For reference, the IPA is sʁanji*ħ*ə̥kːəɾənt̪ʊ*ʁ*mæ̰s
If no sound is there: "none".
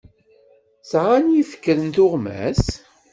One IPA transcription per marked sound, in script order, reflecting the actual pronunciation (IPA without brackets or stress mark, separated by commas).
f, ʁ